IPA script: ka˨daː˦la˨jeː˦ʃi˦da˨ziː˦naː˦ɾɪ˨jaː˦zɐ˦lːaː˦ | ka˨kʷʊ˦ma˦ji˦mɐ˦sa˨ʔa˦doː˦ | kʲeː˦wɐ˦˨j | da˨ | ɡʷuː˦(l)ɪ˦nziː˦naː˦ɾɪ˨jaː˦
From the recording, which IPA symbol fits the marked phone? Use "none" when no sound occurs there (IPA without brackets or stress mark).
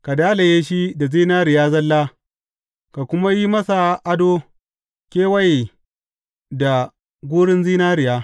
ɽ